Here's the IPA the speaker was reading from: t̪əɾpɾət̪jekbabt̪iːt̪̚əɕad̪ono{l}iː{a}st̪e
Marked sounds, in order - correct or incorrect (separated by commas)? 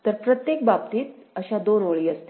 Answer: incorrect, incorrect